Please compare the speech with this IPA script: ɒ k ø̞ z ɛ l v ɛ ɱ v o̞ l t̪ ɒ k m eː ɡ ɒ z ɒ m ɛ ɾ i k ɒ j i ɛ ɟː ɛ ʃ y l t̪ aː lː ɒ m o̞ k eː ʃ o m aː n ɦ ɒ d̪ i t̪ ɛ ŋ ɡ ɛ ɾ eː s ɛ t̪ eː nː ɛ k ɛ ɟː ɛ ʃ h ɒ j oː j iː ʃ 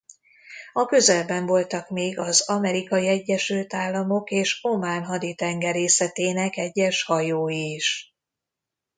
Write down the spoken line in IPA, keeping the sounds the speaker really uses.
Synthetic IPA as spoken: ɒ k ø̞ z ɛ l b ɛ ɱ v o̞ l t̪ ɒ k m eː ɡ ɒ z ɒ m ɛ ɾ i k ɒ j i ɛ ɟː ɛ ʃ y l t̪ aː lː ɒ m o̞ k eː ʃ o m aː n ɦ ɒ d̪ i t̪ ɛ ŋ ɡ ɛ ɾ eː s ɛ t̪ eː n ɛ k ɛ ɟː ɛ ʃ h ɒ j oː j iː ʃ